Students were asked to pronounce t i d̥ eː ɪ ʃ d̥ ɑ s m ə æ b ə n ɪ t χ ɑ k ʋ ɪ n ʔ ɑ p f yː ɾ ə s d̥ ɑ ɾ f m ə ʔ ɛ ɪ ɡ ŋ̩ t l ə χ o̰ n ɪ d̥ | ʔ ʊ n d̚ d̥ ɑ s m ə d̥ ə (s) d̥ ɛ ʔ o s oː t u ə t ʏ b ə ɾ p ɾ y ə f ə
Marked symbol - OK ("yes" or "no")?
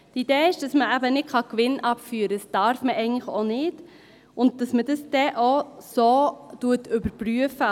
yes